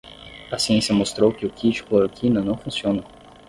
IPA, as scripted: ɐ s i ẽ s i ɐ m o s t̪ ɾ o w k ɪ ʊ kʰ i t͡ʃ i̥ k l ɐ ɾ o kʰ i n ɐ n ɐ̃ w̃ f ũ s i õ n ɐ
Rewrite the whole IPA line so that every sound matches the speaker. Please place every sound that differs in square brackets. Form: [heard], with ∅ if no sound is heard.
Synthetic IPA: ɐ s i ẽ s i ɐ m o s t̪ ɾ o w k ɪ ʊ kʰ i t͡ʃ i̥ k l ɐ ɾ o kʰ i n ɐ n ɐ̃ w̃ f ũ s i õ n ɐ